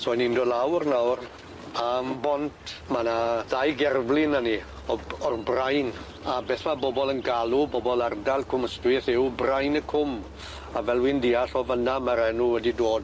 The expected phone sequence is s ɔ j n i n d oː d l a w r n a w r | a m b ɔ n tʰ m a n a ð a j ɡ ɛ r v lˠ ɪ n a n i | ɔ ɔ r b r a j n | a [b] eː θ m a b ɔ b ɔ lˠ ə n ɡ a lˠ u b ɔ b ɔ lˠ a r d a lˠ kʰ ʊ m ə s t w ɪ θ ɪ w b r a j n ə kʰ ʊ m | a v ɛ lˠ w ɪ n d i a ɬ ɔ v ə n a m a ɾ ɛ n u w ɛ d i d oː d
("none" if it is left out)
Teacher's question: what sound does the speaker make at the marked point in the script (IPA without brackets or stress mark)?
b